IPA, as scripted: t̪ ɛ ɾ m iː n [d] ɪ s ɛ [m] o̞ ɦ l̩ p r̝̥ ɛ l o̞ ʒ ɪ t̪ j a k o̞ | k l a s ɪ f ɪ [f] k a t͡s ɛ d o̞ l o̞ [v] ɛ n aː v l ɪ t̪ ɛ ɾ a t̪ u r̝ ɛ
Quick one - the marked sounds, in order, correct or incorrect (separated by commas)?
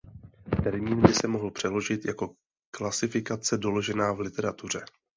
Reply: incorrect, correct, incorrect, incorrect